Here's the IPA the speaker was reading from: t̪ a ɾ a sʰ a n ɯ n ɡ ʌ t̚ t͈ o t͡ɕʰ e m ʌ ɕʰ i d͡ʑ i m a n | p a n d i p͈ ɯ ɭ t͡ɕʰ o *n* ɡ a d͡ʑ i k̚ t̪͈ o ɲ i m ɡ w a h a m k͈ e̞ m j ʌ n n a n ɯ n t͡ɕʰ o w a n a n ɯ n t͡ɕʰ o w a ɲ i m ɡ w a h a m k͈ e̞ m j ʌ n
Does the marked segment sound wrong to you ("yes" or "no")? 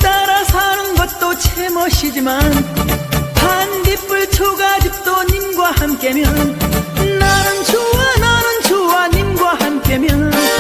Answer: yes